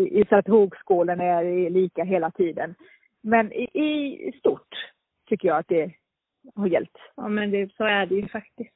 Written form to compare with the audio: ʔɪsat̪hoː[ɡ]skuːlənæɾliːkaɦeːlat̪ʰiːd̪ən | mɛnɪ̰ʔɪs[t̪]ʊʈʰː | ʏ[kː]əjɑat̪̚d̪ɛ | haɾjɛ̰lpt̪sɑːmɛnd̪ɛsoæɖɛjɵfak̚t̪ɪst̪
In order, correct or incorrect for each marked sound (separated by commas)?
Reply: correct, correct, correct